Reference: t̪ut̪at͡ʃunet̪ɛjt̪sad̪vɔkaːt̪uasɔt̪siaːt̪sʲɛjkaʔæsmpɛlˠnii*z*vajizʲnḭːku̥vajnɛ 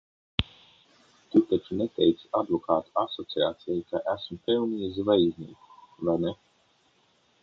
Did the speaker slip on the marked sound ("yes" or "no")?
no